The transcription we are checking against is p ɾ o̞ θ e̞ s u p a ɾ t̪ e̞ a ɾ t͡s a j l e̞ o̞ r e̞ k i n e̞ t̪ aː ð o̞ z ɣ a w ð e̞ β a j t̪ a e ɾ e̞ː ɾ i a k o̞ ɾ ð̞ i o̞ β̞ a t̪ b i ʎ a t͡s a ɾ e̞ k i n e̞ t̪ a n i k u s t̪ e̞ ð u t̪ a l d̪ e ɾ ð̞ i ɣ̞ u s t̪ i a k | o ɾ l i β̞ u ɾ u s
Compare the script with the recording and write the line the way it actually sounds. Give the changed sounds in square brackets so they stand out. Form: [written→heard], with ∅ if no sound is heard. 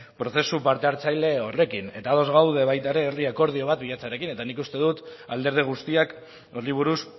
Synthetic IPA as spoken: p ɾ o̞ θ e̞ s u p a ɾ t̪ e̞ a ɾ t͡s a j l e̞ o̞ r e̞ k i n e̞ t̪ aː ð o̞ z ɣ a w ð e̞ β a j t̪ a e ɾ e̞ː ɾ i a k o̞ ɾ ð̞ i o̞ β̞ a t̪ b i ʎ a t͡s a ɾ e̞ k i n e̞ t̪ a n i k u s t̪ e̞ ð u t̪ a l d̪ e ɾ ð̞ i ɣ̞ u s t̪ i a k | o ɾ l i β̞ u ɾ u s